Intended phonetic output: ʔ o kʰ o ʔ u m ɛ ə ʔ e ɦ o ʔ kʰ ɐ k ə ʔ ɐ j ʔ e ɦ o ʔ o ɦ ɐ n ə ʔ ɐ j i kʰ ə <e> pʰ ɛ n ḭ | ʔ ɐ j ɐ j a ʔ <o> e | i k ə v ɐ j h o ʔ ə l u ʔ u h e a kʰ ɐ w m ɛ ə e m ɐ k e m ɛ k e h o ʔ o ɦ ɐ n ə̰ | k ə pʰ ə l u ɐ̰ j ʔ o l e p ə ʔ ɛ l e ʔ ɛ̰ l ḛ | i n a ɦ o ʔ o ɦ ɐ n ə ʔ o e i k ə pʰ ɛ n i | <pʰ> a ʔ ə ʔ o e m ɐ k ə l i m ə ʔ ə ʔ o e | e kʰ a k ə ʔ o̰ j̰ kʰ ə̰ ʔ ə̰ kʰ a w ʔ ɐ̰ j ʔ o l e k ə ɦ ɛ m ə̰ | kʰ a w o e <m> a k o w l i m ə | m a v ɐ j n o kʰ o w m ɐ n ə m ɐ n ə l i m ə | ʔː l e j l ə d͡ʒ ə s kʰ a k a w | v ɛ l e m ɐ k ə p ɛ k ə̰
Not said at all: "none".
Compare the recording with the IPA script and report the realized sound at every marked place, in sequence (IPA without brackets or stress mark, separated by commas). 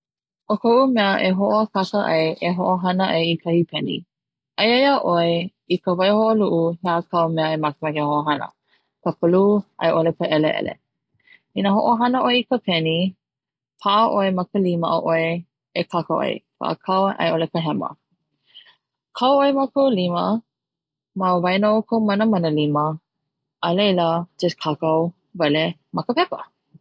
i, o, pʰ, m